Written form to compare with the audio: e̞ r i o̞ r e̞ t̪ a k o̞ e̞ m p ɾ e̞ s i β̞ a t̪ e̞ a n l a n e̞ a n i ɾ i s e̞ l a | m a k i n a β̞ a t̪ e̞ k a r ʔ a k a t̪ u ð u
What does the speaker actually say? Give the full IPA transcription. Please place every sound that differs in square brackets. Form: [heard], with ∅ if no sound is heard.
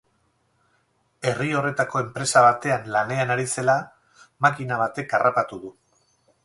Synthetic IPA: e̞ r i o̞ r e̞ t̪ a k o̞ e̞ m p ɾ e̞ s [a] β̞ a t̪ e̞ a n l a n e̞ a n [a] ɾ i s e̞ l a | m a k i n a β̞ a t̪ e̞ k a r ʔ a [p] a t̪ u ð u